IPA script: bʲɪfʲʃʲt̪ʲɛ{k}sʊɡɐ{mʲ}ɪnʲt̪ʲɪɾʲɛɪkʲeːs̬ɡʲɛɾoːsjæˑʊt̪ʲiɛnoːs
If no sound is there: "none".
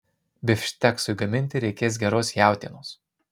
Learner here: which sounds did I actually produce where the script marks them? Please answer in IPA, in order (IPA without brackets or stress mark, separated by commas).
k, mʲ